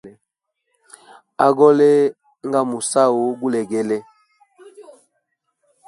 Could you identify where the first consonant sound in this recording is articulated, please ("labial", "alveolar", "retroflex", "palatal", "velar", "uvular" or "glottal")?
velar